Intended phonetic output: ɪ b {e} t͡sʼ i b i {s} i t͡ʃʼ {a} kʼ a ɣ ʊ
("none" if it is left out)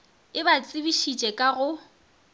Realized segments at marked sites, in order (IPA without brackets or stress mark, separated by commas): a, ʃ, ɛ